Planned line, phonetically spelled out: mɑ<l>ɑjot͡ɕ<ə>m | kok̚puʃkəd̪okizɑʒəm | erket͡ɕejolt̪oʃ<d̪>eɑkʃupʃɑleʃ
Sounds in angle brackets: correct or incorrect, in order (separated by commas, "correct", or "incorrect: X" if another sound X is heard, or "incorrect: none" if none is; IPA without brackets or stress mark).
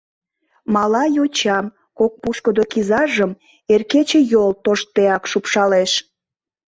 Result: correct, incorrect: ɑ, incorrect: t̪